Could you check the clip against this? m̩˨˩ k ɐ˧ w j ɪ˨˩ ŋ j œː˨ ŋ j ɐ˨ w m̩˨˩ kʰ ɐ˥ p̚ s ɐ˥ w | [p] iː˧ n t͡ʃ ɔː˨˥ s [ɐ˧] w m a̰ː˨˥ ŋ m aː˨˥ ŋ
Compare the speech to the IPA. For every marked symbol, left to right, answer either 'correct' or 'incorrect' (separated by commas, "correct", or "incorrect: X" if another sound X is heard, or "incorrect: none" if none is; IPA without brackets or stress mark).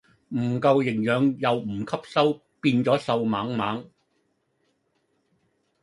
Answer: correct, correct